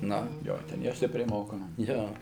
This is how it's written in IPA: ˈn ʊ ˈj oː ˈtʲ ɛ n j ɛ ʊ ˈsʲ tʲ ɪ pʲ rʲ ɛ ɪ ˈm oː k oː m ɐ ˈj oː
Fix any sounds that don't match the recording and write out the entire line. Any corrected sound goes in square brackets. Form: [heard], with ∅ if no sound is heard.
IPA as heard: ˈn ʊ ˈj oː ˈtʲ ɛ n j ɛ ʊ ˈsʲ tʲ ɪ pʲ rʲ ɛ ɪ ˈm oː k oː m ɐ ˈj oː